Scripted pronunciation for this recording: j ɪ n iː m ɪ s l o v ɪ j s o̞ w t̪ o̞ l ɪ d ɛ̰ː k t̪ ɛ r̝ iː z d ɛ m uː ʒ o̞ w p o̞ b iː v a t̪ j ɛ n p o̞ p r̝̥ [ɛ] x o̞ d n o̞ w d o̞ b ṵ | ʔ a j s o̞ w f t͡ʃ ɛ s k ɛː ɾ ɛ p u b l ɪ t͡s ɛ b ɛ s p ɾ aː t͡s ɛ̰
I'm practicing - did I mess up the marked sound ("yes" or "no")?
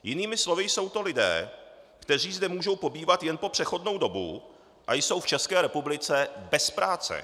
no